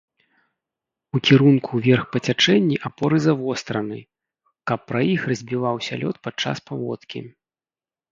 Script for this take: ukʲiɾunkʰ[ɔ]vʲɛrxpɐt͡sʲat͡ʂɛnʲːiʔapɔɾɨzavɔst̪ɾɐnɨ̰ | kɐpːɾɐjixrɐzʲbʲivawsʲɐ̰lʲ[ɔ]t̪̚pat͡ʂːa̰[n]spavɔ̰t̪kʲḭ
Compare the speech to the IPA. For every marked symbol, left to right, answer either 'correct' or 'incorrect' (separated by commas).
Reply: incorrect, correct, incorrect